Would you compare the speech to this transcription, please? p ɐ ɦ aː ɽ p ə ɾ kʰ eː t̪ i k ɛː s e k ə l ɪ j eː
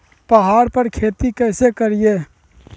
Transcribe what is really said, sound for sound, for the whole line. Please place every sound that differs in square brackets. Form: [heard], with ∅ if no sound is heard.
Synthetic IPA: p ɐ ɦ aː [ɾ] p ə ɾ kʰ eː t̪ i k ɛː s e k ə [ɾ] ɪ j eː